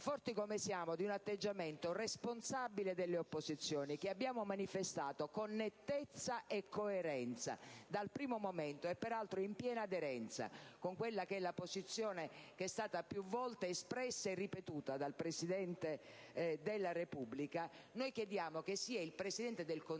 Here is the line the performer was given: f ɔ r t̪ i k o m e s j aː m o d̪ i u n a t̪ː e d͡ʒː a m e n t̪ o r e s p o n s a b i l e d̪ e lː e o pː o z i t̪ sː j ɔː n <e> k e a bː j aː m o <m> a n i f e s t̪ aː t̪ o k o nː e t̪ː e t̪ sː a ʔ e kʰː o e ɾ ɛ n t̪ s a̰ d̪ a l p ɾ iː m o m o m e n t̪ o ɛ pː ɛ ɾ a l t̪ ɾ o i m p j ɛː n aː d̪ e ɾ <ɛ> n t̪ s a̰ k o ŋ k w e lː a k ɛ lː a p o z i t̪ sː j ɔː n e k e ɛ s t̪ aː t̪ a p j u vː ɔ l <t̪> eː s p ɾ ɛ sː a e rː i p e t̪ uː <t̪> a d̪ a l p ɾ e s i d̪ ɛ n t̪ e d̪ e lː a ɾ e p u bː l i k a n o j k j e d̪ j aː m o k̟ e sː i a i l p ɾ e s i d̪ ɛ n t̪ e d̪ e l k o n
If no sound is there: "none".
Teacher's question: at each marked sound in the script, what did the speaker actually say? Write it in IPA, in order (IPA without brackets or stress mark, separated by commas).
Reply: i, m, ɛ, t̪, t̪